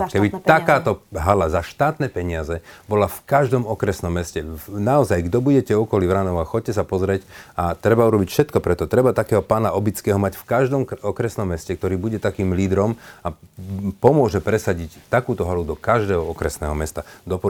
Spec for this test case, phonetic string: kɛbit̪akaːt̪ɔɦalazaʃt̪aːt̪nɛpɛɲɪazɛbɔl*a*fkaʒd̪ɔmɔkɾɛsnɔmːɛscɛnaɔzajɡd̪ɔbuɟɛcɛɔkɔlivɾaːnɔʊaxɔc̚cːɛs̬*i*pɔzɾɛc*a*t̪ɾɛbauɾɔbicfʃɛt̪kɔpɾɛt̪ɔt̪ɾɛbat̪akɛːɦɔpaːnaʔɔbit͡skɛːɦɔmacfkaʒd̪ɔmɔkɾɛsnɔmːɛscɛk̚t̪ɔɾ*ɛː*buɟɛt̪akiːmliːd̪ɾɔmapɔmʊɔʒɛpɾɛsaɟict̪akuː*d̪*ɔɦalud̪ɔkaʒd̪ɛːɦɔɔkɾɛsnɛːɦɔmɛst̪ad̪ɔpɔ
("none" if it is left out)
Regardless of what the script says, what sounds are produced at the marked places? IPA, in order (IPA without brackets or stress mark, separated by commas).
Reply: a, a, a, iː, t̪